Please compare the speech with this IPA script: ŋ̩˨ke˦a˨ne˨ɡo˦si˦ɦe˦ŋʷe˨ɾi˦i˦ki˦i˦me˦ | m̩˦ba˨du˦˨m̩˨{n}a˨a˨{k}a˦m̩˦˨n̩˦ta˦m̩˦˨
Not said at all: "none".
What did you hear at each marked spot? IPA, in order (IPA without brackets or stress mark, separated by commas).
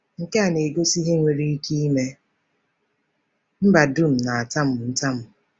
n, t